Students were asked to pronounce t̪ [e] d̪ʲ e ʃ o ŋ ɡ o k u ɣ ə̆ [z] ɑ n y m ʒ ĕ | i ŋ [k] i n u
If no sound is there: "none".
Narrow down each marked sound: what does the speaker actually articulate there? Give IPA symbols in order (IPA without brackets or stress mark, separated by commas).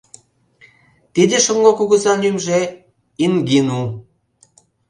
i, z, ɡ